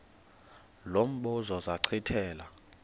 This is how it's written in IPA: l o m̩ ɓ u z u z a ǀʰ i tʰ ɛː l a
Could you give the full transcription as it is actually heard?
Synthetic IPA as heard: l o m̩ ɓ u z ɔ z a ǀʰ i tʰ ɛː l a